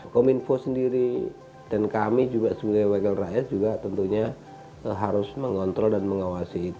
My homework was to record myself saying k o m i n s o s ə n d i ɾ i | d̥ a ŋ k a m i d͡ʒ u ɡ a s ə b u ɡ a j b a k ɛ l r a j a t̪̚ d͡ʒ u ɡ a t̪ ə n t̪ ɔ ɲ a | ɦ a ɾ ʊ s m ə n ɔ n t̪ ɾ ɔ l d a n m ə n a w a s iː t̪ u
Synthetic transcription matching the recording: k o m i n f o s ə n d i ɾ i | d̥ a n k a m i d͡ʒ u ɡ a s ə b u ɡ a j w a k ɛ l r a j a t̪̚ d͡ʒ u ɡ a t̪ ə n t̪ u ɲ a | ɦ a ɾ ʊ s m ə ŋ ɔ n t̪ ɾ ɔ l d a n m ə ŋ a w a s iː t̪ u